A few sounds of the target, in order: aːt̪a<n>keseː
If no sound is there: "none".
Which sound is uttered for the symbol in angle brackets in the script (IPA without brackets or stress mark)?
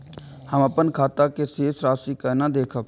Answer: none